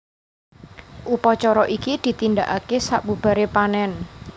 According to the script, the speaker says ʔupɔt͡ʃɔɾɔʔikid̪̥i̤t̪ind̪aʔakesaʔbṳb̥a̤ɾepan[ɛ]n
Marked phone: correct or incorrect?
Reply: correct